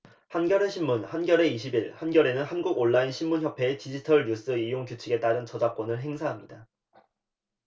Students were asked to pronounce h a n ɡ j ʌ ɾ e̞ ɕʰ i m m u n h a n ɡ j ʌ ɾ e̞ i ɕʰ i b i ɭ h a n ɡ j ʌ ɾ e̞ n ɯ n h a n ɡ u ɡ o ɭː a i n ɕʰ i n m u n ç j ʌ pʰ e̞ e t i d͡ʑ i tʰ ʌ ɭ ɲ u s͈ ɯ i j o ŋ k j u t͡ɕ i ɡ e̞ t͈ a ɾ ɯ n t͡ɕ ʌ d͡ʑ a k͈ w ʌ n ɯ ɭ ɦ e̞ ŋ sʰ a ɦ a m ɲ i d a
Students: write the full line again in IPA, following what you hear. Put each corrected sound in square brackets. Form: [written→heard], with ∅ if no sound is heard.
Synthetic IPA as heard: h a n ɡ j ʌ ɾ e̞ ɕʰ i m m u n h a n ɡ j ʌ ɾ e̞ i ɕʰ i b i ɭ h a n ɡ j ʌ ɾ e̞ n ɯ n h a n ɡ u ɡ o ɭː a i n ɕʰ i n m u n ç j ʌ pʰ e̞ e t i d͡ʑ i tʰ ʌ ɭ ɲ u s͈ ɯ i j o ŋ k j u [t͡ɕ→t͡ɕʰ] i ɡ e̞ t͈ a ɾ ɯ n t͡ɕ ʌ d͡ʑ a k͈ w ʌ n ɯ ɭ ɦ e̞ ŋ sʰ a ɦ a m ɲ i d a

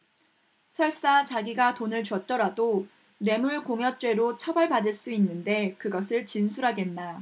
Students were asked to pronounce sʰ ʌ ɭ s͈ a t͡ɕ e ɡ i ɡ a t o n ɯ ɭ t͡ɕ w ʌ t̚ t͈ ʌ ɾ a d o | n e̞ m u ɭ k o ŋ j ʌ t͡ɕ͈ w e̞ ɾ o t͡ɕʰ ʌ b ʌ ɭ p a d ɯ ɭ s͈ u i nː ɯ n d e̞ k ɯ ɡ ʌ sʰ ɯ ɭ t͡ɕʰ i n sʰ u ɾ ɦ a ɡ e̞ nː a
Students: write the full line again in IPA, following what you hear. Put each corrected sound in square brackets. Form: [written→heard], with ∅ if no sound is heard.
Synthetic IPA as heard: sʰ ʌ ɭ s͈ a t͡ɕ [e→a] ɡ i ɡ a t o n ɯ ɭ t͡ɕ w ʌ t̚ t͈ ʌ ɾ a d o | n e̞ m u ɭ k o ŋ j ʌ t͡ɕ͈ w e̞ ɾ o t͡ɕʰ ʌ b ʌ ɭ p a d ɯ ɭ s͈ u i nː ɯ n d e̞ k ɯ ɡ ʌ sʰ ɯ ɭ [t͡ɕʰ→t͡ɕ] i n sʰ u ɾ ɦ a ɡ e̞ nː a

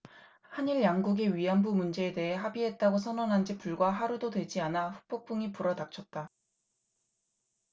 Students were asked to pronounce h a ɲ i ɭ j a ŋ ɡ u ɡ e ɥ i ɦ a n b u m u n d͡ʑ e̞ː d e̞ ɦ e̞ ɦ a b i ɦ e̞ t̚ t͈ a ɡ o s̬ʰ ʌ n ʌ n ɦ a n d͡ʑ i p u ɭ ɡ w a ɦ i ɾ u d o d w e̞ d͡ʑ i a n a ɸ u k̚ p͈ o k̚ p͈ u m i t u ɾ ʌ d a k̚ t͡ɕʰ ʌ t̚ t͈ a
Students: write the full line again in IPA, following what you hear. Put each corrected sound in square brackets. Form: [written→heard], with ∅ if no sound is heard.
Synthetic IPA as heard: h a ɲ i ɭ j a ŋ ɡ u ɡ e ɥ i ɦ a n b u m u n d͡ʑ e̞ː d e̞ ɦ e̞ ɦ a b i ɦ e̞ t̚ t͈ a ɡ o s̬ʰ ʌ n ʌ n ɦ a n d͡ʑ i p u ɭ ɡ w a ɦ [i→a] ɾ u d o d w e̞ d͡ʑ i a n a ɸ u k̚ p͈ o k̚ p͈ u [m→ŋ] i [t→p] u ɾ ʌ d a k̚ t͡ɕʰ ʌ t̚ t͈ a

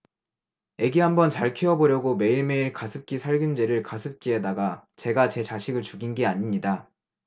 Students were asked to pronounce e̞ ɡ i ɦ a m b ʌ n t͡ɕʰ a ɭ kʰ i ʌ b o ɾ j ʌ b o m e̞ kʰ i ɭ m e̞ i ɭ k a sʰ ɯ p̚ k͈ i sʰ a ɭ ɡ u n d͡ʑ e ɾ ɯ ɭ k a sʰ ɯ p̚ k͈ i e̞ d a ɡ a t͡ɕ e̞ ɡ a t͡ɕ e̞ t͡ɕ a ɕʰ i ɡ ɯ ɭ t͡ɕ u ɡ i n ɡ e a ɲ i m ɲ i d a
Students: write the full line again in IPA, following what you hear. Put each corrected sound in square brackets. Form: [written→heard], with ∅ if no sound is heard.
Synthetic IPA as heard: e̞ ɡ i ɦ a m b ʌ n [t͡ɕʰ→t͡ɕ] a ɭ kʰ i ʌ b o ɾ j ʌ [b→ɡ] o m e̞ [kʰ→∅] i ɭ m e̞ i ɭ k a sʰ ɯ p̚ k͈ i sʰ a ɭ ɡ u n d͡ʑ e ɾ ɯ ɭ k a sʰ ɯ p̚ k͈ i e̞ d a ɡ a t͡ɕ e̞ ɡ a t͡ɕ e̞ t͡ɕ a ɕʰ i ɡ ɯ ɭ t͡ɕ u ɡ i n ɡ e a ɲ i m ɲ i d a

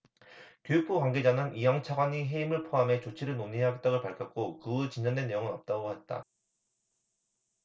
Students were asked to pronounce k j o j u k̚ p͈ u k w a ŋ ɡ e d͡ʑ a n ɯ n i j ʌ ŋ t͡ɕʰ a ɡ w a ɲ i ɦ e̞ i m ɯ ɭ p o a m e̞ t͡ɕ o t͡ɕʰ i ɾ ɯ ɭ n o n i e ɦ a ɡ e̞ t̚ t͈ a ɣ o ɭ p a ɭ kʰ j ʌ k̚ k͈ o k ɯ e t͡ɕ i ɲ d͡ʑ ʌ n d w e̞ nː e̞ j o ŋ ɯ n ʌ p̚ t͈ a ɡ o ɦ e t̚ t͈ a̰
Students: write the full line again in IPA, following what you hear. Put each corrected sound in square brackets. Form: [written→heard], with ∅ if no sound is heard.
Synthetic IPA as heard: k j o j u k̚ p͈ u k w a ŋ ɡ e d͡ʑ a n ɯ n i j ʌ ŋ t͡ɕʰ a ɡ w a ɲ i ɦ e̞ i m ɯ ɭ [p→pʰ] o a m e̞ t͡ɕ o t͡ɕʰ i ɾ ɯ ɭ n o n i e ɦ a ɡ e̞ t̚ t͈ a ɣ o ɭ p a ɭ kʰ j ʌ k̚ k͈ o k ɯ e t͡ɕ i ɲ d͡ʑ ʌ n d w e̞ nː e̞ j o ŋ ɯ n ʌ p̚ t͈ a ɡ o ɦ e t̚ t͈ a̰

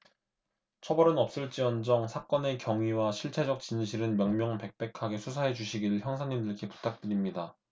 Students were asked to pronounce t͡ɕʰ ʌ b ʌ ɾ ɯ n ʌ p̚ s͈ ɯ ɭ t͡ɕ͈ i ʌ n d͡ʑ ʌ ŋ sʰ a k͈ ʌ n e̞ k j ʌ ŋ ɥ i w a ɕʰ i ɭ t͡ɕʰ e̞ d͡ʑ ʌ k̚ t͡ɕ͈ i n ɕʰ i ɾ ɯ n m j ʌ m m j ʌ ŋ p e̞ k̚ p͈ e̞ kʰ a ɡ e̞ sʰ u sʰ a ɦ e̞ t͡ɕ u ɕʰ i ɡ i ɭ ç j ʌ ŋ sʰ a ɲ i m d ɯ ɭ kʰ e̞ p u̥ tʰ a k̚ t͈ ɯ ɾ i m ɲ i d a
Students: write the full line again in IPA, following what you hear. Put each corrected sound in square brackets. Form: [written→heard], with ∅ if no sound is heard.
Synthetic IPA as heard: t͡ɕʰ ʌ b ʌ ɾ ɯ n ʌ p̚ s͈ ɯ ɭ t͡ɕ͈ i ʌ n d͡ʑ ʌ ŋ sʰ a k͈ ʌ n e̞ k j ʌ ŋ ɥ i w a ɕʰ i ɭ t͡ɕʰ e̞ d͡ʑ ʌ k̚ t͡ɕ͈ i n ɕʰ i ɾ ɯ n m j ʌ [m→ŋ] m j ʌ ŋ p e̞ k̚ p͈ e̞ kʰ a ɡ e̞ sʰ u sʰ a ɦ e̞ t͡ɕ u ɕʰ i ɡ i ɭ ç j ʌ ŋ sʰ a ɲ i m d ɯ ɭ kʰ e̞ p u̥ tʰ a k̚ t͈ ɯ ɾ i m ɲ i d a

